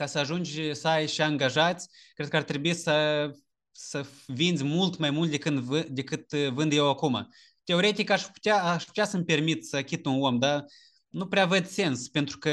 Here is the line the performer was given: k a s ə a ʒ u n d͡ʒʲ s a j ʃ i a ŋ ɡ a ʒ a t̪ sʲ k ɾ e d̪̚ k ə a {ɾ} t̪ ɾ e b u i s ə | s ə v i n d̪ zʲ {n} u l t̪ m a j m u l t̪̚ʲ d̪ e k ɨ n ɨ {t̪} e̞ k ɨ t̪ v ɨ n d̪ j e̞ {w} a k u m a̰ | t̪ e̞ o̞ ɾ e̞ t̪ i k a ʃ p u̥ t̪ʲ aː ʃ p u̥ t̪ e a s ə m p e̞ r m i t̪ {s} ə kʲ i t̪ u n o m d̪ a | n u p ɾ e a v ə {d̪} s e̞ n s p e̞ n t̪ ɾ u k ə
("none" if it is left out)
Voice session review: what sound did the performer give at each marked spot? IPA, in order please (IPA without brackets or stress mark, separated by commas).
r, m, d̪, w, s, d̪